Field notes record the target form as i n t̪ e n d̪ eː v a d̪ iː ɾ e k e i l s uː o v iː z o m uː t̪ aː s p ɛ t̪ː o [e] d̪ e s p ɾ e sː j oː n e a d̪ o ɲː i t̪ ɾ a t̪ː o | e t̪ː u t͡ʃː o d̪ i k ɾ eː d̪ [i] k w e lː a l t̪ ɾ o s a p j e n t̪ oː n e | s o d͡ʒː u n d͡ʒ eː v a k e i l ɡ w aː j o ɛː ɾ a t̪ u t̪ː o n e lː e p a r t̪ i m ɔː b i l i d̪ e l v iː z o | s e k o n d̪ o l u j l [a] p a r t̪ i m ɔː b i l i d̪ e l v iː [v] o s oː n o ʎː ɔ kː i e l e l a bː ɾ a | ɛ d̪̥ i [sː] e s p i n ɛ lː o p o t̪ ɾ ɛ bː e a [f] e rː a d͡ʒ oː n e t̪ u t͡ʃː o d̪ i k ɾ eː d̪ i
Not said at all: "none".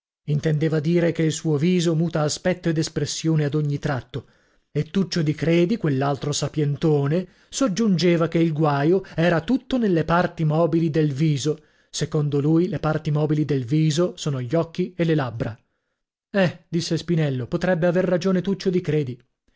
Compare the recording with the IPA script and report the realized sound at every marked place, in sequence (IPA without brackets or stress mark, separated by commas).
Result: e, i, e, z, sː, v